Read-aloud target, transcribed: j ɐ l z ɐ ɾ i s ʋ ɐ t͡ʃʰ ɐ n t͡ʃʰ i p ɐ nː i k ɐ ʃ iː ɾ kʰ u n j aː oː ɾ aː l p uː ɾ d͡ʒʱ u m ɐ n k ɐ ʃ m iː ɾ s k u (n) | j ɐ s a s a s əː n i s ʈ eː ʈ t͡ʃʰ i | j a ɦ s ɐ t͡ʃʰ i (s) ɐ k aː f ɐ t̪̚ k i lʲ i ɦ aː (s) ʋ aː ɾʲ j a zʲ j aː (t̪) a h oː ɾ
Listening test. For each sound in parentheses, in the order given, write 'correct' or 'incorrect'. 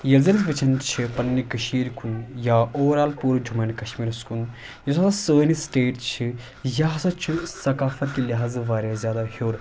correct, correct, incorrect: z, incorrect: d̪

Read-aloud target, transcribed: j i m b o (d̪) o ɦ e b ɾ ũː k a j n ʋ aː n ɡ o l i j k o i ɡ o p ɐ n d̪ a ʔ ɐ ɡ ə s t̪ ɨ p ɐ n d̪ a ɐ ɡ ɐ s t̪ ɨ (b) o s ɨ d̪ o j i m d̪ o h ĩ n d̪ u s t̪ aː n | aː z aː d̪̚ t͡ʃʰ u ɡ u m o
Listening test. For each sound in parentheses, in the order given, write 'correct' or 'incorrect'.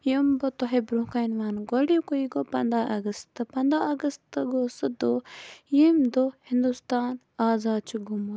incorrect: t̪, incorrect: ɡ

